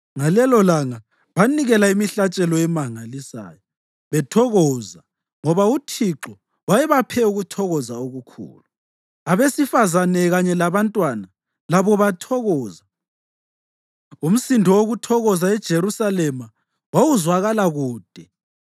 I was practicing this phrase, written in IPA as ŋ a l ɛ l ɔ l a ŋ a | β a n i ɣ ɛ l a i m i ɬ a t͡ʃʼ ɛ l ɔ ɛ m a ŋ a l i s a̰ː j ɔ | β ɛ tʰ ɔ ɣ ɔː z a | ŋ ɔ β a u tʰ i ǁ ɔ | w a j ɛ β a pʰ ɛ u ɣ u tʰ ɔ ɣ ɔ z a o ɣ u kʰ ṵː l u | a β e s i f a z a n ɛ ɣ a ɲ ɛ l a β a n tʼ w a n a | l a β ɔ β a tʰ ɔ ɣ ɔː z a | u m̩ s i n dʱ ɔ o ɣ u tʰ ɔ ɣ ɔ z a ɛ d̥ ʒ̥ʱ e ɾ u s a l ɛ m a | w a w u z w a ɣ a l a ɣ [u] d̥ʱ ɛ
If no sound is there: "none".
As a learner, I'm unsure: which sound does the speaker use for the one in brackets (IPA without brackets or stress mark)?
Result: uː